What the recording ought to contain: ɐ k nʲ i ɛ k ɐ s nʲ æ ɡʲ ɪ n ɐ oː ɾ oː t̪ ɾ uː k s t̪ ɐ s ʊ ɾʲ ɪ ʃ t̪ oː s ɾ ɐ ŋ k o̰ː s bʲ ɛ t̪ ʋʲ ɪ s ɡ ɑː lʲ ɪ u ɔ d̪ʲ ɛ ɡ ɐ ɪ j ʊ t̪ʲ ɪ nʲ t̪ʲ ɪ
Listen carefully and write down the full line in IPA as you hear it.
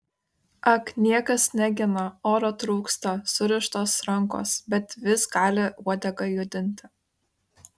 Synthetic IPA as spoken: ɐ k nʲ i ɛ k ɐ s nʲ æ ɡʲ ɪ n ɐ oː ɾ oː t̪ ɾ uː k s t̪ ɐ s ʊ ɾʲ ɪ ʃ t̪ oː s ɾ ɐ ŋ k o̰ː s bʲ ɛ t̪ ʋʲ ɪ s ɡ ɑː lʲ ɪ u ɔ d̪ʲ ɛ ɡ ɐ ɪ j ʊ d̪ʲ ɪ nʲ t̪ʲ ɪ

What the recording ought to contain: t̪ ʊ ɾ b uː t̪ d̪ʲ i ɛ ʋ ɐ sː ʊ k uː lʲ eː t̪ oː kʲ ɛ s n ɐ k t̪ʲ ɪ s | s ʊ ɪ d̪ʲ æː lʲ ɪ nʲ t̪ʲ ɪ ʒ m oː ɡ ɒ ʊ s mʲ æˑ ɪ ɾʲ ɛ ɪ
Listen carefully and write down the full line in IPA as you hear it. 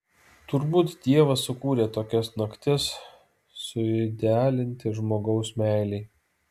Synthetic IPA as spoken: t̪ ʊ ɾ b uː t̪ d̪ʲ i ɛ ʋ ɐ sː ʊ k uː ɾʲ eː t̪ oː kʲ ɛ s n ɐ k t̪ʲ ɪ s | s ʊ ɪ d̪ʲ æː lʲ ɪ nʲ t̪ʲ ɪ ʒ m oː ɡ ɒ ʊ s mʲ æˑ ɪ lʲ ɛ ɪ

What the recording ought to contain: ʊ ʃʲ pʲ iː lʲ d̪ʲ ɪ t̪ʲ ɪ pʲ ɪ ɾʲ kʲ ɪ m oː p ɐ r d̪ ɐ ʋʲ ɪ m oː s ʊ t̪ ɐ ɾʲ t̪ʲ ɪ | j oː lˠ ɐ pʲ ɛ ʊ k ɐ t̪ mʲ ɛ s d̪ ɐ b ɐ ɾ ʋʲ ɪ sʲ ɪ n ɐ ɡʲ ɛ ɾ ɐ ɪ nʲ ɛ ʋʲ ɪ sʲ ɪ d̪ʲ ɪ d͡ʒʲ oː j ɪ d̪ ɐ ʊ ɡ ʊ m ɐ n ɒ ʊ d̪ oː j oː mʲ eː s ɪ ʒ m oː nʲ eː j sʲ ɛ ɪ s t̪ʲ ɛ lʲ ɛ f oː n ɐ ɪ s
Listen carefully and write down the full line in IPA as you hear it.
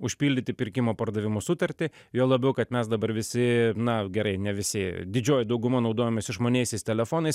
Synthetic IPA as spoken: ʊ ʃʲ pʲ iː lʲ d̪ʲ ɪ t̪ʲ ɪ pʲ ɪ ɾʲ kʲ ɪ m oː p ɐ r d̪ ɐ ʋʲ ɪ m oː s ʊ t̪ ɐ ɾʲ t̪ʲ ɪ | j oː lˠ ɐ bʲ ɛ ʊ k ɐ t̪ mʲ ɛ s d̪ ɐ b ɐ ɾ ʋʲ ɪ sʲ ɪ n ɐ ɡʲ ɛ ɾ ɐ ɪ nʲ ɛ ʋʲ ɪ sʲ ɪ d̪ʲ ɪ d͡ʒʲ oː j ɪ d̪ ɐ ʊ ɡ ʊ m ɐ n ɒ ʊ d̪ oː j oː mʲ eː s ɪ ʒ m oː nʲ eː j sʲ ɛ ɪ s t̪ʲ ɛ lʲ ɛ f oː n ɐ ɪ s

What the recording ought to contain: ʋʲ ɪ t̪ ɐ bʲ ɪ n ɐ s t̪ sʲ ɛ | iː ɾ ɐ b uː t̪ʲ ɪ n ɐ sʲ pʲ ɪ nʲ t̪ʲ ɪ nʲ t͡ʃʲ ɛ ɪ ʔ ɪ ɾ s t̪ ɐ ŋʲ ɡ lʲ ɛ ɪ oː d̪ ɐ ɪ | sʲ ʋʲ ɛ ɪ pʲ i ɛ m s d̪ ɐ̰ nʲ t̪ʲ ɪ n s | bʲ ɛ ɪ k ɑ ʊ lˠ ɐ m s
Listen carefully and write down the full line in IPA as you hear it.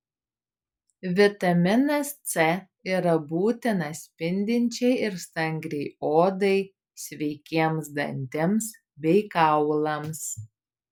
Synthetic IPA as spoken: ʋʲ ɪ t̪ ɐ mʲ ɪ n ɐ s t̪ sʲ ɛ | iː ɾ ɐ b uː t̪ʲ ɪ n ɐ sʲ pʲ ɪ nʲ d̪ʲ ɪ nʲ t͡ʃʲ ɛ ɪ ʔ ɪ ɾ s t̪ ɐ ŋʲ ɡ ɾʲ ɛ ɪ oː d̪ ɐ ɪ | sʲ ʋʲ ɛ ɪ kʲ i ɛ m s d̪ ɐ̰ nʲ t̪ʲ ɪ m s | bʲ ɛ ɪ k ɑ ʊ lˠ ɐ m s

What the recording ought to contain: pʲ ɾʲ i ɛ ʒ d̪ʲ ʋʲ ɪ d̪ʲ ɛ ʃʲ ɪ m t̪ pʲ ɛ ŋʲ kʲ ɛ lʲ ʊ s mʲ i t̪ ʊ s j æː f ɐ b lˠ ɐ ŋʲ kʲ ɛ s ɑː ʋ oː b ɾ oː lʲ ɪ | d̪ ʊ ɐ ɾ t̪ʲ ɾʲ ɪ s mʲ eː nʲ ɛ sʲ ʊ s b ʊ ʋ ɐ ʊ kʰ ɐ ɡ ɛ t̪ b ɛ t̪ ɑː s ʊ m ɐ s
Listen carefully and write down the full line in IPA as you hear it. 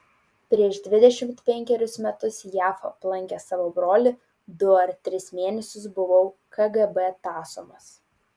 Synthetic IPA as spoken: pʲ ɾʲ i ɛ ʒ d̪ʲ ʋʲ ɪ d̪ʲ ɛ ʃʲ ɪ m t̪ pʲ ɛ ŋʲ kʲ ɛ ɾʲ ʊ s mʲ ɛ t̪ ʊ s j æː f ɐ p lˠ ɐ ŋʲ kʲ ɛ s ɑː ʋ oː b ɾ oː lʲ ɪ | d̪ ʊ ɐ ɾ t̪ʲ ɾʲ ɪ s mʲ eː nʲ ɛ sʲ ʊ s b ʊ ʋ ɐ ʊ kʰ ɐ ɡ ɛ b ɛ t̪ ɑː s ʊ m ɐ s

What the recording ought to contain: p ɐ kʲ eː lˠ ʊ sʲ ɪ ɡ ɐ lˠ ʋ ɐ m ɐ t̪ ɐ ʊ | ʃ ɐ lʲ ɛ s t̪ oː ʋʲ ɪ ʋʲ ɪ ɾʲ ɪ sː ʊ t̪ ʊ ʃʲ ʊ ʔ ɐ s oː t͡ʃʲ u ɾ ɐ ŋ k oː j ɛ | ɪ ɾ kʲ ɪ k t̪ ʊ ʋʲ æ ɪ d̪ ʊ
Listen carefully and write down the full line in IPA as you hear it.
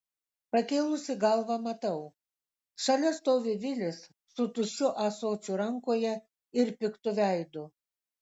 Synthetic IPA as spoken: p ɐ kʲ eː lˠ ʊ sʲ ɪ ɡ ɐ lˠ ʋ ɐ m ɐ t̪ ɐ ʊ | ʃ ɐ lʲ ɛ s t̪ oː ʋʲ ɪ ʋʲ ɪ lʲ ɪ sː ʊ t̪ ʊ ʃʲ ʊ ʔ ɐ s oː t͡ʃʲ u ɾ ɐ ŋ k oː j ɛ | ɪ ɾ pʲ ɪ k t̪ ʊ ʋʲ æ ɪ d̪ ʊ

